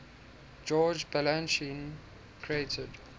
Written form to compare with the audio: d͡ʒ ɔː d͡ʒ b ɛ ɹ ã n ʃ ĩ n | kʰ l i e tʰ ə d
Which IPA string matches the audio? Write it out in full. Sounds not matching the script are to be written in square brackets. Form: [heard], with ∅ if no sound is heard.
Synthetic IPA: d͡ʒ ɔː d͡ʒ b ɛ [l] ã n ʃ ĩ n | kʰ [ɹ] i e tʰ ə d

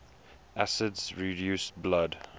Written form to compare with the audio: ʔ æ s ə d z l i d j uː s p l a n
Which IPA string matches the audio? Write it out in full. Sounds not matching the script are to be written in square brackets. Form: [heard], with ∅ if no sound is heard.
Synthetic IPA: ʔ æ s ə d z [ɹ] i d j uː s [b] l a [d]

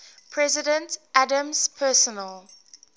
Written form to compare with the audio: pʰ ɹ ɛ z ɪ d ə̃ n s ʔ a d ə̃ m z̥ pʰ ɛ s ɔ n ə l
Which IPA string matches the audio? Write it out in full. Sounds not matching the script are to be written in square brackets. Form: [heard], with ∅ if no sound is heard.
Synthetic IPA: pʰ ɹ ɛ z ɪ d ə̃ n [t] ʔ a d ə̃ m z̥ pʰ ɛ s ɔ n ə l

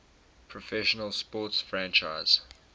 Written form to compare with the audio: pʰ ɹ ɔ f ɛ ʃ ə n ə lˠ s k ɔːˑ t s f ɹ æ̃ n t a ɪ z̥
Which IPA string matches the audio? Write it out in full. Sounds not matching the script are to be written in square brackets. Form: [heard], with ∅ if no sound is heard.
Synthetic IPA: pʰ ɹ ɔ f ɛ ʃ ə n ə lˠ s [p] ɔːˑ t s f ɹ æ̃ n [t͡ʃ] a ɪ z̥

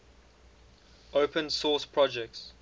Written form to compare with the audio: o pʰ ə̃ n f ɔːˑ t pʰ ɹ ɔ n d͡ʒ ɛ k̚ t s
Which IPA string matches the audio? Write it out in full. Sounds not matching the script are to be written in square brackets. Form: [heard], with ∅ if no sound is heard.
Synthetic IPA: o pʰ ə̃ n [s] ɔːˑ [s] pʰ ɹ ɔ [∅] d͡ʒ ɛ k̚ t s

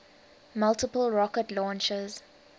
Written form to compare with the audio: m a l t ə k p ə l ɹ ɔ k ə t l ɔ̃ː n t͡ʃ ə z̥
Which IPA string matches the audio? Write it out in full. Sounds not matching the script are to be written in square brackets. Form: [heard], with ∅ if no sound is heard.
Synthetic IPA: m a l t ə [∅] p ə l ɹ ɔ k ə t l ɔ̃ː n t͡ʃ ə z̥

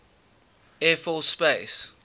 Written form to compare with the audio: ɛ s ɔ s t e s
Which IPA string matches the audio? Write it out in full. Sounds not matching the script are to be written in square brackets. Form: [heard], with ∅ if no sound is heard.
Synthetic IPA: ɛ [f] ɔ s [p] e s

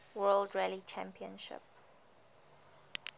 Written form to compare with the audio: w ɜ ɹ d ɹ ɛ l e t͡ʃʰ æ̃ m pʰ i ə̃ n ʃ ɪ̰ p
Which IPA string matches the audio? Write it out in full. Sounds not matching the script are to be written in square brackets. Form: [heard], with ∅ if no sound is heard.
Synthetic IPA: w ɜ [l] d ɹ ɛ l [i] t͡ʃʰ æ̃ m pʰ i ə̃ n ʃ ɪ̰ p

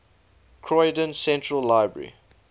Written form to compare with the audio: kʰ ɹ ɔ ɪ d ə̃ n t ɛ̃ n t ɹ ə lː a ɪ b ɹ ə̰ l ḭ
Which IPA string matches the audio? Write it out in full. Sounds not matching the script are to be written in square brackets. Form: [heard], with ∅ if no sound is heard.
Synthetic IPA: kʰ ɹ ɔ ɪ d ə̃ n [s] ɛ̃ n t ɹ ə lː a ɪ b ɹ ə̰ [ɹ] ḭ

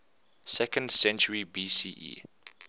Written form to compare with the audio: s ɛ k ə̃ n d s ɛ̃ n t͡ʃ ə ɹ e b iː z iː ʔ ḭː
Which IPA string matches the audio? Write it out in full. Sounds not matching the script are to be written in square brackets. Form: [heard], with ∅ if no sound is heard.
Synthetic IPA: s ɛ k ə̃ n d s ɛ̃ n t͡ʃ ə ɹ [i] b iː [s] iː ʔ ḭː

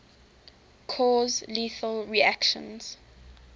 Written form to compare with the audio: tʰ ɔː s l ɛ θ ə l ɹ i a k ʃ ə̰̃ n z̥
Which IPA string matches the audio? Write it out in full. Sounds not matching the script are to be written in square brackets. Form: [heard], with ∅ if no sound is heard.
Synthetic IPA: [kʰ] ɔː [z] l [i] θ ə l ɹ i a k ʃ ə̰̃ n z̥

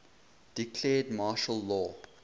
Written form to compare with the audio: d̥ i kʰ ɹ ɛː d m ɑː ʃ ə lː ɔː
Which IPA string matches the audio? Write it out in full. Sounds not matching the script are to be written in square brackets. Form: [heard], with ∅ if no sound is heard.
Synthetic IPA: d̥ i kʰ [l] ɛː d m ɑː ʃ ə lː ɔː

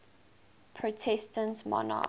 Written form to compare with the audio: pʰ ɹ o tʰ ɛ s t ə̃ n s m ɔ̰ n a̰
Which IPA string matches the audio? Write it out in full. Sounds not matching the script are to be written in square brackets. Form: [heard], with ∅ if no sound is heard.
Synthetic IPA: pʰ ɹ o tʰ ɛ s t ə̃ n [t] m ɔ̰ n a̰

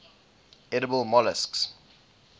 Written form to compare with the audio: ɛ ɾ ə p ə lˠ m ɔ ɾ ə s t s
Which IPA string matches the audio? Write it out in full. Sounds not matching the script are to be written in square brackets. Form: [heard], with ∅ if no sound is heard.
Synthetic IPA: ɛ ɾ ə [b] ə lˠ m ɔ [l] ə s [k] s

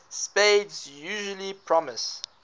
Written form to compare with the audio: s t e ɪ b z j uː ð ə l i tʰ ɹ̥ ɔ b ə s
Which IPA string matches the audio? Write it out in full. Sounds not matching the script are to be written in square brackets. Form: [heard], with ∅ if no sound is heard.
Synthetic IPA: s [p] e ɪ [d] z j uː [ʒ] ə l i [pʰ] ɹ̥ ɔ [m] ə s

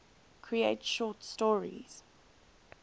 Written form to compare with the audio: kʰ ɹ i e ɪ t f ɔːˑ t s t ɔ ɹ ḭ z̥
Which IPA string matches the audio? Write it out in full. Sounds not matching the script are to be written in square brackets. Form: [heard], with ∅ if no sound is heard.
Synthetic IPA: kʰ ɹ i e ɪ t [ʃ] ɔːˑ t s t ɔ ɹ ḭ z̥

